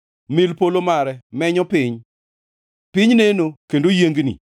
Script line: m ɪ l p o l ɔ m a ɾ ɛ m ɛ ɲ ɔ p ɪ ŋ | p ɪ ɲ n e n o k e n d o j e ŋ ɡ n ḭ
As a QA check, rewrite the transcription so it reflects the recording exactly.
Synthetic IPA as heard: m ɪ l p o l o m a ɾ ɛ m ɛ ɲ ɔ p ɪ ɲ | p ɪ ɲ n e n o k e n d o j e ŋ ɡ n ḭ